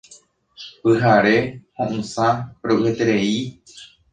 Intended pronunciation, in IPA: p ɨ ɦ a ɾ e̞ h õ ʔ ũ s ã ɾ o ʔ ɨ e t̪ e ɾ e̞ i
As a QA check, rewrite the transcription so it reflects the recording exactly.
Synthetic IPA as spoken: p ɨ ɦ a ɾ e̞ h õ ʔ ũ s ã ɾ o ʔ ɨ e t̪ e ɾ e̞ i